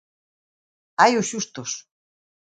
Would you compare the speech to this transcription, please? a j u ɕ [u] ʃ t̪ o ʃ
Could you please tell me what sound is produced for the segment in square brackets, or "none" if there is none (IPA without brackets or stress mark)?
u